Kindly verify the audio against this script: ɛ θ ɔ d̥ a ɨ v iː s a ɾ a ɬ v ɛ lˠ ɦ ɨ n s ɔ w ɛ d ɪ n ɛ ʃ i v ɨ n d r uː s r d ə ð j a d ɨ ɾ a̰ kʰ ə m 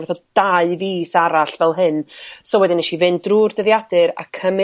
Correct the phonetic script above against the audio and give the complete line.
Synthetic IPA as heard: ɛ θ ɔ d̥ a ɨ v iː s a ɾ a ɬ v ɛ lˠ ɦ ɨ n s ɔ w ɛ d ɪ n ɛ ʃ i v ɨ n d r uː r d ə ð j a d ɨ ɾ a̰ kʰ ə m